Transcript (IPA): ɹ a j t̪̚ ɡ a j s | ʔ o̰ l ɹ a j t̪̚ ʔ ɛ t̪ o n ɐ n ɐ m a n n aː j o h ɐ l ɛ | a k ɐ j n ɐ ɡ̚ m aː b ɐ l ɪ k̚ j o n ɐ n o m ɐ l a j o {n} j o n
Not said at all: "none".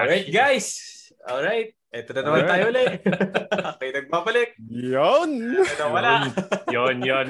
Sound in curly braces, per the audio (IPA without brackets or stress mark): n